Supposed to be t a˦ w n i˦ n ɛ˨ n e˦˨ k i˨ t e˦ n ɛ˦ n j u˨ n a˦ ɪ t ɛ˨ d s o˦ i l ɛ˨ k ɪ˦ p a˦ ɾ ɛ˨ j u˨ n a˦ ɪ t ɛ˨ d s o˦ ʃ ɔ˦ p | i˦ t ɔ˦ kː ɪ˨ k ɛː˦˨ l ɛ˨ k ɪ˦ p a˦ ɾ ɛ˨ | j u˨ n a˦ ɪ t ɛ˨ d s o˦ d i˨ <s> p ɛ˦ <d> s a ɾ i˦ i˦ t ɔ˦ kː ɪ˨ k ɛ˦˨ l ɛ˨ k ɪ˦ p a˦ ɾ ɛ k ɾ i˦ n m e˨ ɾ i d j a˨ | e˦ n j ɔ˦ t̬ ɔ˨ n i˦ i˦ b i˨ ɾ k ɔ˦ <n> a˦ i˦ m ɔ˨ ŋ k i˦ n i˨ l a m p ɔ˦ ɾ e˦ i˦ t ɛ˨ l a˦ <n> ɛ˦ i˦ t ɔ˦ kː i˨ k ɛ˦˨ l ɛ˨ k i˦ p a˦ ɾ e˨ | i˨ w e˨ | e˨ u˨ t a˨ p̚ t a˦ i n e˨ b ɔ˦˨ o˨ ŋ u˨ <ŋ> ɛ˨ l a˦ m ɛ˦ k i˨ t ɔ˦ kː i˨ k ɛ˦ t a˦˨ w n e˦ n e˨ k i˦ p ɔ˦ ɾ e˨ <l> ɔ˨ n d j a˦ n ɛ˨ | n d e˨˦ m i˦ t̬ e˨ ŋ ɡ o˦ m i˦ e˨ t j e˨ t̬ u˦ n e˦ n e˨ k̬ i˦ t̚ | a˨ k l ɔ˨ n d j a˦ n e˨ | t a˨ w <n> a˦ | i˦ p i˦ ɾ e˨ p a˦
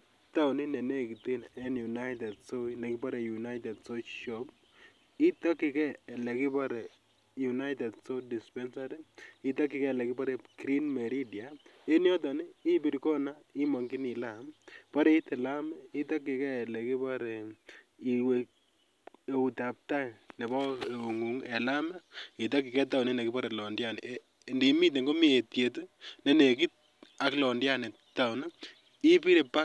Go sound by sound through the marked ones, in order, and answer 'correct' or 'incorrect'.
correct, incorrect: n, correct, incorrect: m, correct, correct, correct

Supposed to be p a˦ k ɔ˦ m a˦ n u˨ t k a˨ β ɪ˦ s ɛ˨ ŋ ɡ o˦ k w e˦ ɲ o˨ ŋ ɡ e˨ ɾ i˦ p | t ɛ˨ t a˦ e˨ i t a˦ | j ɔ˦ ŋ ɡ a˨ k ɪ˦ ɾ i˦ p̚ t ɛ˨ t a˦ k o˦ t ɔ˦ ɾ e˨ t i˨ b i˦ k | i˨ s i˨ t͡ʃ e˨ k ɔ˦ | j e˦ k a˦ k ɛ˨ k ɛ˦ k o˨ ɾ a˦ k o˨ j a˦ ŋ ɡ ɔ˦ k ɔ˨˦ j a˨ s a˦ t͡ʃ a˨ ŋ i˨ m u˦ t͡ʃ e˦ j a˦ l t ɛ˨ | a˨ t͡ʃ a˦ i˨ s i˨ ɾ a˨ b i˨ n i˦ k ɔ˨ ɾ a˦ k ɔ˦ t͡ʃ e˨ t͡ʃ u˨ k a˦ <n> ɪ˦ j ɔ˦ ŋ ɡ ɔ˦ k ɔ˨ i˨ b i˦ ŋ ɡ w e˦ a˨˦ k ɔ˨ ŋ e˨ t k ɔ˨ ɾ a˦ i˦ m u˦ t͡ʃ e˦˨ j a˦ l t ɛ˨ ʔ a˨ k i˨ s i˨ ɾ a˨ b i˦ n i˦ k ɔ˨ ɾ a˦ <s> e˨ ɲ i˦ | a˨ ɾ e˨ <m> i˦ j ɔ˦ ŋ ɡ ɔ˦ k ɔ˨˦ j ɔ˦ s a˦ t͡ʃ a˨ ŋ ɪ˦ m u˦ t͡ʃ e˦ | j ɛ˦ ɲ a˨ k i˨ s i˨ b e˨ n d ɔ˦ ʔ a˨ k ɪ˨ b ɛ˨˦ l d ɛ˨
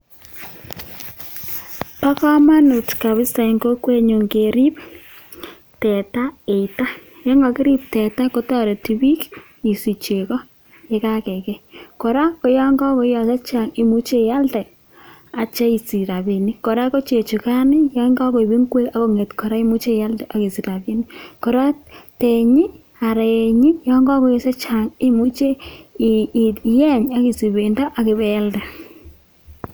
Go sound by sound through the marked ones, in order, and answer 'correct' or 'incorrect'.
correct, incorrect: t, incorrect: ɲ

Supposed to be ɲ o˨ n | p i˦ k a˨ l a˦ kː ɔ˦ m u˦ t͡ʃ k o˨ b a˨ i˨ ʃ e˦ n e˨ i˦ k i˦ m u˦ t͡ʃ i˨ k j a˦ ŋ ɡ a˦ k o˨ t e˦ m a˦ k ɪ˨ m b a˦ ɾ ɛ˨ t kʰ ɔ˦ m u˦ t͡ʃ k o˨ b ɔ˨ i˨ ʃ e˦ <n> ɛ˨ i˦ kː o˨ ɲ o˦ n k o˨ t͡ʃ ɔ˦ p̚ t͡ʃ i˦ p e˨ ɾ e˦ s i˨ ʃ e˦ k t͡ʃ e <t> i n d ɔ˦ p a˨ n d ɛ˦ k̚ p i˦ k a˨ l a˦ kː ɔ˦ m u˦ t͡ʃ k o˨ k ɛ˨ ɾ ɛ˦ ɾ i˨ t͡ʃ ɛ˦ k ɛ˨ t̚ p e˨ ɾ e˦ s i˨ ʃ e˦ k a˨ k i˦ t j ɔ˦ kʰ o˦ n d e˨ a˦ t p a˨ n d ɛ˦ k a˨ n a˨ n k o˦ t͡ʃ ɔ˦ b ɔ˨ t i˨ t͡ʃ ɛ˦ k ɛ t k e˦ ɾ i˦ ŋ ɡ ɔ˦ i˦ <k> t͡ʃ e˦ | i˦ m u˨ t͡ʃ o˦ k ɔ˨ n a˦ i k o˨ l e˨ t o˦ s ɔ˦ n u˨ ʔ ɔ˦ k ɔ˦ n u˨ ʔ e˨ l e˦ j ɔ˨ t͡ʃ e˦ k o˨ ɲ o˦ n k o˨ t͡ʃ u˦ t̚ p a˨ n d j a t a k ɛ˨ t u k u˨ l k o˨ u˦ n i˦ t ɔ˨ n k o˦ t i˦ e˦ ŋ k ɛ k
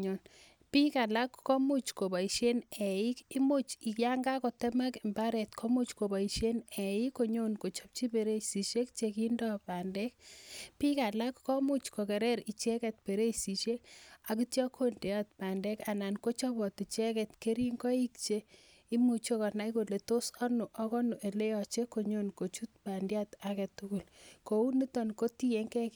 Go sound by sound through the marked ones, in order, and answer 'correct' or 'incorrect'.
correct, incorrect: k, correct

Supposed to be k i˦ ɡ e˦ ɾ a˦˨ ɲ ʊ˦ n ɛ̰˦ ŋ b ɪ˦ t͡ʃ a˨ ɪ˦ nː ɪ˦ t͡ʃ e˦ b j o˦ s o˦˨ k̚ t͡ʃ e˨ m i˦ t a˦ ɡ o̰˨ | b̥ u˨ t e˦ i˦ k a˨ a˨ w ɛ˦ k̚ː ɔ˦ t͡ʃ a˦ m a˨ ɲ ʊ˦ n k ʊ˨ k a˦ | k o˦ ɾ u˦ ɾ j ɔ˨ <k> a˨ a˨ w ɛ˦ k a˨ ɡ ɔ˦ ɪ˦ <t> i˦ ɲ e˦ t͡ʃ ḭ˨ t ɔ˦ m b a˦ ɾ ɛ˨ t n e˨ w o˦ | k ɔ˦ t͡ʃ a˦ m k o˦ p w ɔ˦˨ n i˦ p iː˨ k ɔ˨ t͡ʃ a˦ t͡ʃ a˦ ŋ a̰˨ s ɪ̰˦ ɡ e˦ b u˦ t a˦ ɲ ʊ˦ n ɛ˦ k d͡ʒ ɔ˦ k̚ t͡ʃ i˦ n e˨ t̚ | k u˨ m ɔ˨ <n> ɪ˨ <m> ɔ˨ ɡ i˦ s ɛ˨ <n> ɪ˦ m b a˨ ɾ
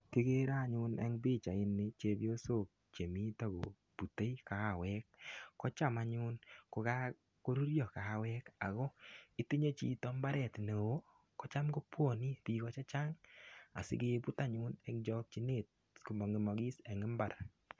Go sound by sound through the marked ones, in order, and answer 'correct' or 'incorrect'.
correct, correct, incorrect: ŋ, correct, incorrect: ŋ

